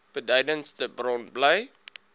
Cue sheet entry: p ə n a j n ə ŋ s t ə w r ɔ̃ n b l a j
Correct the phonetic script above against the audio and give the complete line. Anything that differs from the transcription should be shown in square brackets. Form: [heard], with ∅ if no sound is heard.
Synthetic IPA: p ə [d] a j [d] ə [n] s t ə [b] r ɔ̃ n b l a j